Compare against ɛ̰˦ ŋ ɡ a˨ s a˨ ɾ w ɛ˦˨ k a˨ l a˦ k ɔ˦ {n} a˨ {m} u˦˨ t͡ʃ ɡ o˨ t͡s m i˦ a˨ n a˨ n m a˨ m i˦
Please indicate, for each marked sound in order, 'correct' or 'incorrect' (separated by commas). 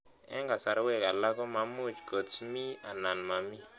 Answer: incorrect, correct